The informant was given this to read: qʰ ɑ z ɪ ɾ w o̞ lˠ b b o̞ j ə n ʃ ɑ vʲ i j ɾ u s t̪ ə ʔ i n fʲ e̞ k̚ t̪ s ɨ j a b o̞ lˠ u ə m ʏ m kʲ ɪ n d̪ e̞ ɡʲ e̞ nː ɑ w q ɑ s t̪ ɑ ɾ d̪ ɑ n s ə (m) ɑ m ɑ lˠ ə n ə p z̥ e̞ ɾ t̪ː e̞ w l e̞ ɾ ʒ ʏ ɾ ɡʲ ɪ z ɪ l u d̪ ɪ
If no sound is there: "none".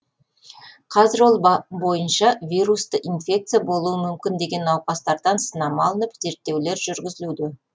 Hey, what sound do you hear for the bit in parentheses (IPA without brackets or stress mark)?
n